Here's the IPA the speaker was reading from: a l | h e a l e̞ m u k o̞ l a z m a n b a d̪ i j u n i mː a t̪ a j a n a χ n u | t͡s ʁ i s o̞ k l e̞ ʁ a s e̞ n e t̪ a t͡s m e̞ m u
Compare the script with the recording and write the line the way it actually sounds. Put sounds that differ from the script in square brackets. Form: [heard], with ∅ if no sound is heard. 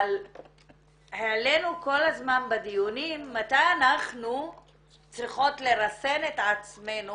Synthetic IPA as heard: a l | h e a l e̞ [n] u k o̞ l a z m a n b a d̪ i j u n i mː a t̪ a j a n a χ n u | t͡s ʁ i [χ] o̞ [t] l e̞ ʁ a s e̞ n e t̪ a t͡s m e̞ [n] u